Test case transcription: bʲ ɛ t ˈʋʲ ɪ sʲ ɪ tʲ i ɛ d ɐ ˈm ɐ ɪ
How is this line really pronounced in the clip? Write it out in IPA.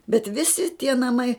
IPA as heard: bʲ ɛ t ˈʋʲ ɪ sʲ ɪ tʲ i ɛ n ɐ ˈm ɐ ɪ

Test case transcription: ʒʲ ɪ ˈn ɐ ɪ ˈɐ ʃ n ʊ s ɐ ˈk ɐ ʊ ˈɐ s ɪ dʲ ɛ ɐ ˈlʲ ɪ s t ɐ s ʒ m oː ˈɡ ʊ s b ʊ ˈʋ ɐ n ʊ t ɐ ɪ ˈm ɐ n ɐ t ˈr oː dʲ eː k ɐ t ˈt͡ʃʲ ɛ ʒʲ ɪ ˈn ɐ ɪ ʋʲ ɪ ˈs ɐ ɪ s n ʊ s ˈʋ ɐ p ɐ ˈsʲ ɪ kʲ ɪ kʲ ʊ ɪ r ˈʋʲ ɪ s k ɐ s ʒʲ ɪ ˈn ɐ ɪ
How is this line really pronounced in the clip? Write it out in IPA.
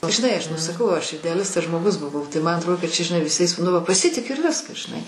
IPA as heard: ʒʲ ɪ ˈn ɐ ɪ ˈɐ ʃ n ʊ s ɐ ˈk ɐ ʊ ˈɐ ʃ ɪ dʲ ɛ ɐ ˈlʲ ɪ s t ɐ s ʒ m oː ˈɡ ʊ s b ʊ ˈʋ ɐ ʊ t ɐ ɪ ˈm ɐ n ɐ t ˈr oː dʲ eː k ɐ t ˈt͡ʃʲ ɛ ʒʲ ɪ ˈn ɐ ɪ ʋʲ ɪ ˈs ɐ ɪ s n ʊ ˈʋ ɐ p ɐ ˈsʲ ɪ tʲ ɪ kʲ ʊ ɪ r ˈʋʲ ɪ s k ɐ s ʒʲ ɪ ˈn ɐ ɪ

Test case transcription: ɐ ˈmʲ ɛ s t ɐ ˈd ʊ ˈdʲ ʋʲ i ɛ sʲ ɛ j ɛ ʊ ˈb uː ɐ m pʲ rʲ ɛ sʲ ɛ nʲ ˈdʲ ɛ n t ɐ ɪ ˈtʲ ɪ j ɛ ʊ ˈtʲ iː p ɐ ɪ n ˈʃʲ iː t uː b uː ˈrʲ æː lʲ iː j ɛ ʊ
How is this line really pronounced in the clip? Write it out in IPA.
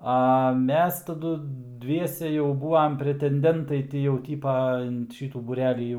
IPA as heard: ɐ ˈmʲ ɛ s t ɐ ˈd ʊ ˈdʲ ʋʲ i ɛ sʲ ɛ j ɛ ʊ ˈb uː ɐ m pʲ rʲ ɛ tʲ ɛ nʲ ˈdʲ ɛ n t ɐ ɪ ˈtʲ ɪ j ɛ ʊ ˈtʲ iː p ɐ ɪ n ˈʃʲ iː t uː b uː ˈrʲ æː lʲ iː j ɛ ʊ

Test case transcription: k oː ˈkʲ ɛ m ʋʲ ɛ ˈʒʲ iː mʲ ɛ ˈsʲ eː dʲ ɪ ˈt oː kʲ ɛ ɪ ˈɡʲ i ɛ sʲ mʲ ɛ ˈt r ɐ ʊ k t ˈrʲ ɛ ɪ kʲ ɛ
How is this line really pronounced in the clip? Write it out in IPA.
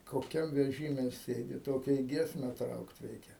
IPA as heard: k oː ˈkʲ ɛ m ʋʲ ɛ ˈʒʲ iː mʲ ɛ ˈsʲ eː dʲ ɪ ˈt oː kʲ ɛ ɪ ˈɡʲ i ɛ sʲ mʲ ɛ ˈt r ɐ ʊ k t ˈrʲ ɛ ɪ kʲ ɛ

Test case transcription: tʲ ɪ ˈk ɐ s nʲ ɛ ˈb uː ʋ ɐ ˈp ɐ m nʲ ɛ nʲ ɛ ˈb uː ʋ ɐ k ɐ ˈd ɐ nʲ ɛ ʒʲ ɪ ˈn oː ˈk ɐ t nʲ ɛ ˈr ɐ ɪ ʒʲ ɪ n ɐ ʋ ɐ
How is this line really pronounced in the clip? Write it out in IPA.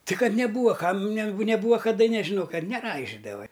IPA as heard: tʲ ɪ ˈk ɐ t nʲ ɛ ˈb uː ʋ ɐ ˈk ɐ m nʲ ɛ nʲ ɛ ˈb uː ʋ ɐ k ɐ ˈd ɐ nʲ ɛ ʒʲ ɪ ˈn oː ˈk ɐ t nʲ ɛ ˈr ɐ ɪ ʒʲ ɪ d ɐ ʋ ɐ

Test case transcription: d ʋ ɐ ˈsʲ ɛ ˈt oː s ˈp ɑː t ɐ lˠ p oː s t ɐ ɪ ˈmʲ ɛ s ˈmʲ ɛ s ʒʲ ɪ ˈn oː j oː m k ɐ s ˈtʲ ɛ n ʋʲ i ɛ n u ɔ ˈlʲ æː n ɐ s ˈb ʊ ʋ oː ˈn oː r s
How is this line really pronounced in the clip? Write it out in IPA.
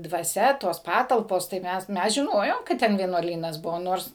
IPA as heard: d ʋ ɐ ˈsʲ ɛ ˈt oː s ˈp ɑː t ɐ lˠ p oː s t ɐ ɪ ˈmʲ ɛ s ˈmʲ ɛ s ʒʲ ɪ ˈn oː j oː m k ɐ t ˈtʲ ɛ n ʋʲ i ɛ n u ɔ ˈlʲ iː n ɐ s ˈb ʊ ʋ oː ˈn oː r s

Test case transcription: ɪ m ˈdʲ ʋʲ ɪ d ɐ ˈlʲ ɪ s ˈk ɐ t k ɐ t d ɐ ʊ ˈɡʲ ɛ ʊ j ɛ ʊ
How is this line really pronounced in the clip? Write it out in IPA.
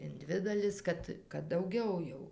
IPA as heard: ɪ n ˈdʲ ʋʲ ɪ d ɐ ˈlʲ ɪ s ˈk ɐ t k ɐ t d ɐ ʊ ˈɡʲ ɛ ʊ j ɛ ʊ

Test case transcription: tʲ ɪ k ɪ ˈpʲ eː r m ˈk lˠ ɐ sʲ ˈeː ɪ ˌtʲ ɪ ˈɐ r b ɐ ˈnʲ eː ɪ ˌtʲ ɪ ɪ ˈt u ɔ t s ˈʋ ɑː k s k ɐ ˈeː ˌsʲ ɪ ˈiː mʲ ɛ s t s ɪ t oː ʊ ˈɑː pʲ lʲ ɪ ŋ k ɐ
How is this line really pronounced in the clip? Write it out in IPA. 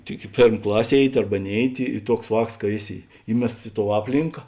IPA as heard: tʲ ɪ k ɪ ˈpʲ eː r m ˈk lˠ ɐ sʲ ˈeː ɪ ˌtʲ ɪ ˈɐ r b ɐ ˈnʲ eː ɪ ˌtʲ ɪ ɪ ˈt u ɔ k s ˈʋ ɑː k s k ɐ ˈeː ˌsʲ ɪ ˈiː mʲ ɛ s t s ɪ t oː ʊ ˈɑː pʲ lʲ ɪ ŋ k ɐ

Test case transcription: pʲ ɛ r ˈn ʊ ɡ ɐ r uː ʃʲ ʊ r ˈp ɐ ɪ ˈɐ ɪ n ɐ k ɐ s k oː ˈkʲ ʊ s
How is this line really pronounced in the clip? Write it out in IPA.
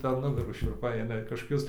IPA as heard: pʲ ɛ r ˈn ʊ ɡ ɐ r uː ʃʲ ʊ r ˈp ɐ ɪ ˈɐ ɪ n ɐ k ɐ ʃ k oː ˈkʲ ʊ s

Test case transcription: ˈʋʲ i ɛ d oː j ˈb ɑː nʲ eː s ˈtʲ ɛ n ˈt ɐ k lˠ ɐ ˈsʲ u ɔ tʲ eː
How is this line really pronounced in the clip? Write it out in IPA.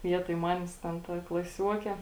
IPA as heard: ˈʋʲ i ɛ t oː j ˈm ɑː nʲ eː s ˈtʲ ɛ n ˈt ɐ k lˠ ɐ ˈsʲ u ɔ kʲ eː

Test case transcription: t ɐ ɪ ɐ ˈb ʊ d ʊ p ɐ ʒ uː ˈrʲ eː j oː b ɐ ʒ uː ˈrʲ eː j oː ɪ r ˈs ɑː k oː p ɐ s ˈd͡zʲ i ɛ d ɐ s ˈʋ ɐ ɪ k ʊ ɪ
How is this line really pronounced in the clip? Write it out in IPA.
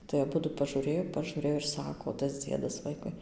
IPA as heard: t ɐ ɪ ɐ ˈb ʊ d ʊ p ɐ ʒ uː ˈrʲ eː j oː p ɐ ʒ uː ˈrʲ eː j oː ɪ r ˈs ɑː k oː t ɐ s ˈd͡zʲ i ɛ d ɐ s ˈʋ ɐ ɪ k ʊ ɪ

